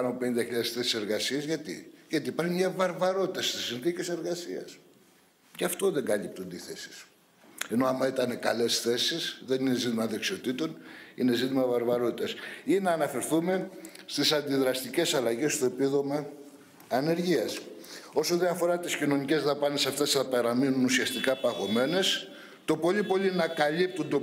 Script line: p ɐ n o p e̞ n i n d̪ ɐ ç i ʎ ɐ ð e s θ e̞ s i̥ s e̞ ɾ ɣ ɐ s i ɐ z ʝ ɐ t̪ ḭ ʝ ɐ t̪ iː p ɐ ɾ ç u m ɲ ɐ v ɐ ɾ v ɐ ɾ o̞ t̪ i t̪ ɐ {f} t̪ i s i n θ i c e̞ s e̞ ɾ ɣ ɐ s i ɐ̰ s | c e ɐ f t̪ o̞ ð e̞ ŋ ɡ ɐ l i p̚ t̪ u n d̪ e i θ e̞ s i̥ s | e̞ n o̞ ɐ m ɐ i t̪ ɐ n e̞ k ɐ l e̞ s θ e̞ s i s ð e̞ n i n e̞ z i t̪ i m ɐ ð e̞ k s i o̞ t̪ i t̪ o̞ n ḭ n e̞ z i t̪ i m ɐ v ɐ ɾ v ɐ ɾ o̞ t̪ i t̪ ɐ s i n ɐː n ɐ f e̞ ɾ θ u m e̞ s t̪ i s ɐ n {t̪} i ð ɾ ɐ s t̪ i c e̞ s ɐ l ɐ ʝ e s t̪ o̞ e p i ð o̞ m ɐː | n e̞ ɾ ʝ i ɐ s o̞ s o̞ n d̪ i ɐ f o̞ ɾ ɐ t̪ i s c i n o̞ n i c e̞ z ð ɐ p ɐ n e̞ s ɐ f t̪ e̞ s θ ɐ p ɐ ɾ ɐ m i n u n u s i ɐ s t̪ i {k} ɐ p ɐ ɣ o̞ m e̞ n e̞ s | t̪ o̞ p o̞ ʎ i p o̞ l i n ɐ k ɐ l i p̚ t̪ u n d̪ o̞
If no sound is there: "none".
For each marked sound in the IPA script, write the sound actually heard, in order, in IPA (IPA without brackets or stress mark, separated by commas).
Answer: s, d̪, k